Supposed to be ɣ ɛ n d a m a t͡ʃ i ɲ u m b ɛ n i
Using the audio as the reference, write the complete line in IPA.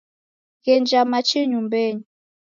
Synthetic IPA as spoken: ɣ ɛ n d͡ʒ a m a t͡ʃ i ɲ u m b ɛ ɲ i